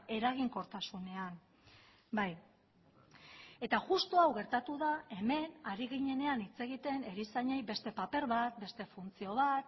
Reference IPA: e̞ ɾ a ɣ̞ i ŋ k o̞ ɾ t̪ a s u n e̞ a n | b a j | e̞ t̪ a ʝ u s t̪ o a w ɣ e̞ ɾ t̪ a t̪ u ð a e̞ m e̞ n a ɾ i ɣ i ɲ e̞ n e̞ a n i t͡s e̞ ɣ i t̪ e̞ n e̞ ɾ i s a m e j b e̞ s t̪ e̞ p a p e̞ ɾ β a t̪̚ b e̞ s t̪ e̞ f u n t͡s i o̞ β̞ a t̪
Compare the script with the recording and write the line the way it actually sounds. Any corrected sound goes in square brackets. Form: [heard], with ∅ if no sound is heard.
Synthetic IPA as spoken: e̞ ɾ a ɣ̞ i ŋ k o̞ ɾ t̪ a s u n e̞ a n | b a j | e̞ t̪ a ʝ u s t̪ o a w ɣ e̞ ɾ t̪ a t̪ u ð a e̞ m e̞ n a ɾ i ɣ i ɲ e̞ n e̞ a n i t͡s e̞ ɣ i t̪ e̞ n e̞ ɾ i s a [ɲ] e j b e̞ s t̪ e̞ p a p e̞ ɾ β a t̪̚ b e̞ s t̪ e̞ f u n t͡s i o̞ β̞ a t̪